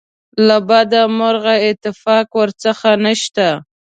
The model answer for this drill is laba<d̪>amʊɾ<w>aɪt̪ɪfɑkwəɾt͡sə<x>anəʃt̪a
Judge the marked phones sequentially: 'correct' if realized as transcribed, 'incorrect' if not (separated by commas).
correct, incorrect, correct